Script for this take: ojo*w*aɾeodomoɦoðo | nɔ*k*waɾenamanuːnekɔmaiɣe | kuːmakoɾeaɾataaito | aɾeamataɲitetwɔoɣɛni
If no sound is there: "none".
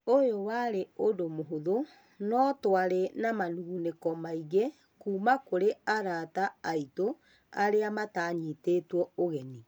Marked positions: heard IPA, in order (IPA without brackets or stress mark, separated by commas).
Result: w, t